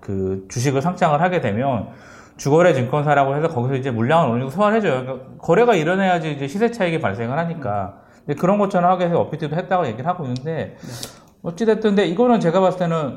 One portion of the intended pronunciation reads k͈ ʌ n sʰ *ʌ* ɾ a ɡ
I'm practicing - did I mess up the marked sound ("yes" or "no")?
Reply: yes